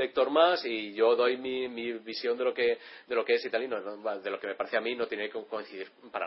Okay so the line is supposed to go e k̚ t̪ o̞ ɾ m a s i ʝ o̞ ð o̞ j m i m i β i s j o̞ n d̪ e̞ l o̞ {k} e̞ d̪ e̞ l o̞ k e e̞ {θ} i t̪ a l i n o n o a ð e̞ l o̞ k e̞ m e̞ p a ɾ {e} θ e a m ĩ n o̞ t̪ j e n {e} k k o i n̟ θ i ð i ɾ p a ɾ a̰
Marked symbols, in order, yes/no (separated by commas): yes, no, yes, yes